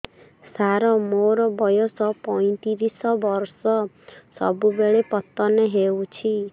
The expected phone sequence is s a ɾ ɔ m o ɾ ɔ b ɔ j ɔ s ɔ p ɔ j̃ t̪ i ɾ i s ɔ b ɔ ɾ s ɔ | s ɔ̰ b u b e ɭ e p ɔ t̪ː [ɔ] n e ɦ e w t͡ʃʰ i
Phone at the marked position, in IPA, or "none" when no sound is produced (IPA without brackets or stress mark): ɔ